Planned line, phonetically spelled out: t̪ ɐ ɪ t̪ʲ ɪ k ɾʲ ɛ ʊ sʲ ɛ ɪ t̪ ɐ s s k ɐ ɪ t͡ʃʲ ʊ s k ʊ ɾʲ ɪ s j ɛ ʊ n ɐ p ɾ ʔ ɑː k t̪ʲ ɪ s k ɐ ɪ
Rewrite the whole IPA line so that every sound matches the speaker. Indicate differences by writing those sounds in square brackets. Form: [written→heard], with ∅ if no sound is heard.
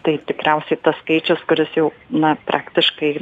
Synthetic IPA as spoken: t̪ ɐ ɪ t̪ʲ ɪ k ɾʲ ɛ ʊ sʲ ɛ ɪ t̪ ɐ s s k ɐ ɪ t͡ʃʲ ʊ s k ʊ ɾʲ ɪ s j ɛ ʊ n ɐ p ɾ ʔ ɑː k t̪ʲ ɪ [s→ʃ] k ɐ ɪ